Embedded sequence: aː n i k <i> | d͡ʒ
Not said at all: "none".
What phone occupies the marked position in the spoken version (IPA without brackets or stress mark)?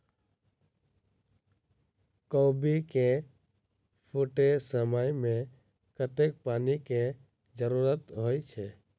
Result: e